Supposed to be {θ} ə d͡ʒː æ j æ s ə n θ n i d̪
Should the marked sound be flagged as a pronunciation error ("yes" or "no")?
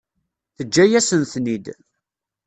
no